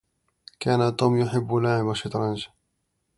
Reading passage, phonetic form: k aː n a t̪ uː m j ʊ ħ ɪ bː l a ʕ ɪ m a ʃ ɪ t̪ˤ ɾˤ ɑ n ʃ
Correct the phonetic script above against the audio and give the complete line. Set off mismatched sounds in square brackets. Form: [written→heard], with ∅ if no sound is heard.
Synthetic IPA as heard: k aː n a t̪ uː m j ʊ ħ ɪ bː l a ʕ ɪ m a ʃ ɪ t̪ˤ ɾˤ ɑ n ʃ